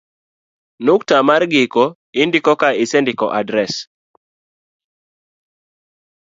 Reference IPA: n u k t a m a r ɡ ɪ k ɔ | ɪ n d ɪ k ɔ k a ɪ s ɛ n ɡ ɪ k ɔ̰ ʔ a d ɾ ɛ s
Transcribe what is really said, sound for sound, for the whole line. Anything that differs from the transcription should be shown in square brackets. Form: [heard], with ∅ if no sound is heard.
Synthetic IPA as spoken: n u k t a m a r ɡ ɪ k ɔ | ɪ n d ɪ k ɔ k a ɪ s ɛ n [d] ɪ k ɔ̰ ʔ a d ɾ ɛ s

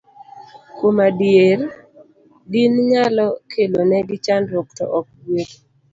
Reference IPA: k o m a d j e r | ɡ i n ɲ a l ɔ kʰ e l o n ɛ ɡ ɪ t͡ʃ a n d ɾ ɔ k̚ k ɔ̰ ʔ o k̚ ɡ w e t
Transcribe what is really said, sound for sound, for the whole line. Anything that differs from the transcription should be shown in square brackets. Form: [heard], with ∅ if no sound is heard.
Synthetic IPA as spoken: k o m a d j e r | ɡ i n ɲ a l ɔ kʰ e l o n ɛ ɡ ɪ t͡ʃ a n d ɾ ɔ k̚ [t] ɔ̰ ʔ [ɔ] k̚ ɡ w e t

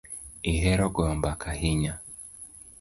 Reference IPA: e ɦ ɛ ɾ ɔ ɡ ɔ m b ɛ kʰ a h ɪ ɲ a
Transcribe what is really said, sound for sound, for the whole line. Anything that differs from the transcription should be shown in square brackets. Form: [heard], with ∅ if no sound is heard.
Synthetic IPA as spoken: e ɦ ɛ ɾ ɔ ɡ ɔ m b [a] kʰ a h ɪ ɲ a

